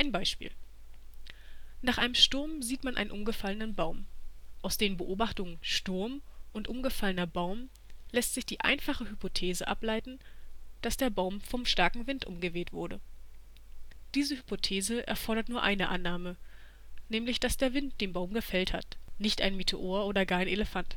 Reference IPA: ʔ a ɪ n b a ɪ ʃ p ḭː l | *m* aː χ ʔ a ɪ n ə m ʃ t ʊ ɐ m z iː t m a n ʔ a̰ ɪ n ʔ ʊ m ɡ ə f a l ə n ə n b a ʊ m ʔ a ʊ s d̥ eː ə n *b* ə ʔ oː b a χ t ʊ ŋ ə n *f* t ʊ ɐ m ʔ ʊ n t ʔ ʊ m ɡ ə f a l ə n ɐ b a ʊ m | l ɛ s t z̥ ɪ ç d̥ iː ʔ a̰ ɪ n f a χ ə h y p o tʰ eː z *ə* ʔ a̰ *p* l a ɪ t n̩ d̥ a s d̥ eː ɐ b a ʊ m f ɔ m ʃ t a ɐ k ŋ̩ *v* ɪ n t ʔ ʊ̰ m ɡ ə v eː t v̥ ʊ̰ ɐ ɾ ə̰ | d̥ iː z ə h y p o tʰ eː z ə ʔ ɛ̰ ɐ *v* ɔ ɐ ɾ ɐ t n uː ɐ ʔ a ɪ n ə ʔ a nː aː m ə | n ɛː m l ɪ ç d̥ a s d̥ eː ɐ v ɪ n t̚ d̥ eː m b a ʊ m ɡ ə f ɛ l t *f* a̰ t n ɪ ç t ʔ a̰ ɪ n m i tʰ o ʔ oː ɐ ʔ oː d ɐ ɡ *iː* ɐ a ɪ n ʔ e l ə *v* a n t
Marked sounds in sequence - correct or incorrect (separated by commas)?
incorrect, correct, incorrect, correct, correct, correct, incorrect, incorrect, incorrect, incorrect